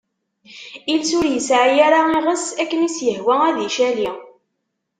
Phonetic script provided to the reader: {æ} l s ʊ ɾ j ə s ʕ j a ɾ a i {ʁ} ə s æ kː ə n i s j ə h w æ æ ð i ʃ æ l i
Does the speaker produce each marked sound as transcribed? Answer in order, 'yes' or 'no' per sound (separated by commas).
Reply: no, yes